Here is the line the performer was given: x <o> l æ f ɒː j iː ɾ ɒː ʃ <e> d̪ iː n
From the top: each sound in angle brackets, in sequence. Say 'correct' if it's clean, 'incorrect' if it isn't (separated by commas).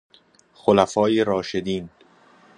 correct, correct